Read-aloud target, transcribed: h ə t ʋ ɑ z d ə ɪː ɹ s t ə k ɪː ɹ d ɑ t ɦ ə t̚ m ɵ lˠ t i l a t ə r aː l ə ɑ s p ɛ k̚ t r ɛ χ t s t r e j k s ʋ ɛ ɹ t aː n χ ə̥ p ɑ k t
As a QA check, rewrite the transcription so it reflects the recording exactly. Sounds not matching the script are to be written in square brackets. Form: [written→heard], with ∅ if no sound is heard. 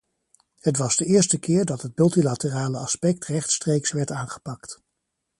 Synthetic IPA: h ə t ʋ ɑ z d ə ɪː ɹ s t ə k ɪː ɹ d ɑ t ɦ ə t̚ m ɵ lˠ t i l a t ə r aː l ə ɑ s p ɛ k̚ t r ɛ χ t s t r e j k s ʋ ɛ ɹ t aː n χ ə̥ p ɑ k t

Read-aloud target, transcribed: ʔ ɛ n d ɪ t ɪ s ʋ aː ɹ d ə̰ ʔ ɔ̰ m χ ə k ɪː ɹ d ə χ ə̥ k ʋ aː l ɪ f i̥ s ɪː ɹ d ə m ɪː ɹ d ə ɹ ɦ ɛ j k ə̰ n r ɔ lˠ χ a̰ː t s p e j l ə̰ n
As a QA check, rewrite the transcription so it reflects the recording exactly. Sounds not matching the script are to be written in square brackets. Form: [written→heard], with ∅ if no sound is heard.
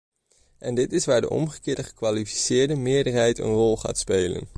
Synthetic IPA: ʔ ɛ n d ɪ t ɪ s ʋ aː ɹ d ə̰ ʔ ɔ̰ m χ ə k ɪː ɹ d ə χ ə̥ k ʋ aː l [ɪ→i] f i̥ s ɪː ɹ d ə m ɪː ɹ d ə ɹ ɦ ɛ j [k→t] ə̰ n r ɔ lˠ χ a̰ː t s p e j l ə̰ n

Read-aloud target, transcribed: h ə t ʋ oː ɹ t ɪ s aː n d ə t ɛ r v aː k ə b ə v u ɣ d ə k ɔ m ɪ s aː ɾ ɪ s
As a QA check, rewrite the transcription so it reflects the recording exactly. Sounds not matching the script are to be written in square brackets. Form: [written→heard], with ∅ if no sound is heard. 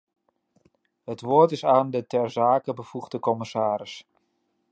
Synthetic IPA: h ə t ʋ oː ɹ t ɪ s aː n d ə t ɛ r [v→z] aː k ə b ə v u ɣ d ə k ɔ m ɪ s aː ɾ ɪ s

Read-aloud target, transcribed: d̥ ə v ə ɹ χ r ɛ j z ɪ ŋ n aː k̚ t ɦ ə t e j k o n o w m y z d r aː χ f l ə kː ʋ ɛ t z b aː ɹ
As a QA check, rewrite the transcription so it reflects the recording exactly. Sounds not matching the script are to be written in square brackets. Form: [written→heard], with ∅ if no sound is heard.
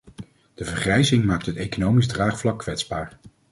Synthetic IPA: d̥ ə v ə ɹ χ r ɛ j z ɪ ŋ [n→m] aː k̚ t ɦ ə t e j k o n o w m [y→i] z d r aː χ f l [ə→ɑ] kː ʋ ɛ t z b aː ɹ

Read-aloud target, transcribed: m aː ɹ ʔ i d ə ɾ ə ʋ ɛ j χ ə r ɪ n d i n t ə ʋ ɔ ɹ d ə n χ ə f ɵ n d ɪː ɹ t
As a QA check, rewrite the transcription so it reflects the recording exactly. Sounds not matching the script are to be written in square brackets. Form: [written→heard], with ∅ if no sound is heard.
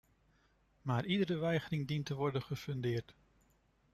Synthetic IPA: m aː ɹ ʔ i d ə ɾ ə ʋ ɛ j χ ə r ɪ [n→ŋ] d i n t ə ʋ ɔ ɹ d ə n χ ə f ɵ n d ɪː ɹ t

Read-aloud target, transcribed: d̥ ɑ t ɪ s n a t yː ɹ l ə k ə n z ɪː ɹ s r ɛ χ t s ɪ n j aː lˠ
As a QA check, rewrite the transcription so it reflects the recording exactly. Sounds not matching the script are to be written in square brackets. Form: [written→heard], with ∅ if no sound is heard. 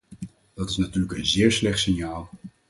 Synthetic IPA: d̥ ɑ t ɪ s n a t yː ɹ l ə k ə n z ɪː ɹ s [r→l] ɛ χ t s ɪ n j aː lˠ

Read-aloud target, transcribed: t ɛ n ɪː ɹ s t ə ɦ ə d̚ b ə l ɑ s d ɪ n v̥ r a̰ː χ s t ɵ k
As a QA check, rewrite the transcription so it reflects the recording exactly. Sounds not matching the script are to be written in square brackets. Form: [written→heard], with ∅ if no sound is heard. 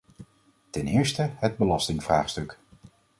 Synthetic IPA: t ɛ n ɪː ɹ s t ə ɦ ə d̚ b ə l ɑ s [d→t] ɪ [n→ŋ] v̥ r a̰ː χ s t ɵ k

